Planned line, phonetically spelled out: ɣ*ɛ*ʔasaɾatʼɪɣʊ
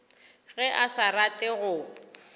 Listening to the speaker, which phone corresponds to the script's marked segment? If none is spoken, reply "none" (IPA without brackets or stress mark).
ɛ